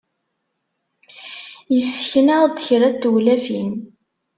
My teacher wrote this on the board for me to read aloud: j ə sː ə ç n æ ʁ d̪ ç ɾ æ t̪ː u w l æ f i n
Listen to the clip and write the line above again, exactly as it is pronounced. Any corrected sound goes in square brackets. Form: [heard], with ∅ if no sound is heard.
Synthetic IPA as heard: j ə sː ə ç n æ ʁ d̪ ç ɾ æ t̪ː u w l æ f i n